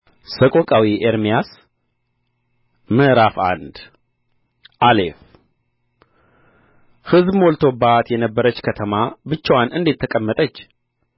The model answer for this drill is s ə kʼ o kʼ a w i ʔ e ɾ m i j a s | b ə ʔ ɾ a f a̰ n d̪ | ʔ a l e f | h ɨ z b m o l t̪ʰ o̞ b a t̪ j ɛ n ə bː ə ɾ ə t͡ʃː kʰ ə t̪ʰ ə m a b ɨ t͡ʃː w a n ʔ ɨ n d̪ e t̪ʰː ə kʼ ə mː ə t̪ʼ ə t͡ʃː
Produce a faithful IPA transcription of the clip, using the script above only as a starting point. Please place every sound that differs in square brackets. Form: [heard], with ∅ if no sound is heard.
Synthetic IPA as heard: s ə kʼ o kʼ a w i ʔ e ɾ m i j a s | [m] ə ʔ ɾ a f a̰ n d̪ | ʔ a l e f | h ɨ z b m o l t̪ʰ o̞ b a t̪ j ɛ n ə bː ə ɾ ə t͡ʃː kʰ ə t̪ʰ ə m a b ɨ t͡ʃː w a n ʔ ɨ n d̪ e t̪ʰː ə kʼ ə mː ə t̪ʼ ə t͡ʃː